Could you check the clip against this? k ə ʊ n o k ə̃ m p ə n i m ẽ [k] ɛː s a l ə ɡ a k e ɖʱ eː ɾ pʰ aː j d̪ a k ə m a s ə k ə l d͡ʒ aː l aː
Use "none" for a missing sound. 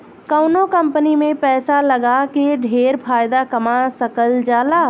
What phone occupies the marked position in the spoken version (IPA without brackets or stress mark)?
p